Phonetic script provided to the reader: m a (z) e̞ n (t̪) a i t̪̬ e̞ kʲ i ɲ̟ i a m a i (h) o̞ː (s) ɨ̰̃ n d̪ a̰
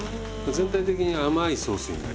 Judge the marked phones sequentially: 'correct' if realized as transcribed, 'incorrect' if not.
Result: correct, correct, incorrect: s, correct

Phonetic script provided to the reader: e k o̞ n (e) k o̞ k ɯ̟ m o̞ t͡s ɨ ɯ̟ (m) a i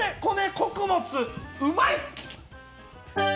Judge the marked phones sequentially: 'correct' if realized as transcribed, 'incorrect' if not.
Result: correct, correct

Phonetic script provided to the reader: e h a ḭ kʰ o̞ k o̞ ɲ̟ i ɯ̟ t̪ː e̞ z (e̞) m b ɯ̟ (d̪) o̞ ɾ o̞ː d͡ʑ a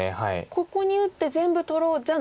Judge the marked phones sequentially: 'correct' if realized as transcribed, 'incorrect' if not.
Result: incorrect: ẽ̞, incorrect: t̪

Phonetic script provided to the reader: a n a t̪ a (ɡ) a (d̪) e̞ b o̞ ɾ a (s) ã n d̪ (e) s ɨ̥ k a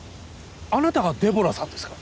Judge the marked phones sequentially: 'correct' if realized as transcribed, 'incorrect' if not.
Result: correct, correct, correct, correct

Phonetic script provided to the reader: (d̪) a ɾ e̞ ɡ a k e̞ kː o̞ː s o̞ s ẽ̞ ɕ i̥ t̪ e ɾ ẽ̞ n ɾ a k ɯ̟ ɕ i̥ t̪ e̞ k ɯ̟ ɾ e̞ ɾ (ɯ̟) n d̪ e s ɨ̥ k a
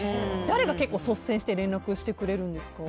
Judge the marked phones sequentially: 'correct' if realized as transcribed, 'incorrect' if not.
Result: correct, incorrect: ɯ̟̃

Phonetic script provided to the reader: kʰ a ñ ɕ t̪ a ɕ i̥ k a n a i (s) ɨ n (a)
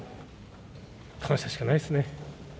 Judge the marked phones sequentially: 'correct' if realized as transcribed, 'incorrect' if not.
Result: correct, incorrect: e

